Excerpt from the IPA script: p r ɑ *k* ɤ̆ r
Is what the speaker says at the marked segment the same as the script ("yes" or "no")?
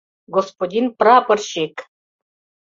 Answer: no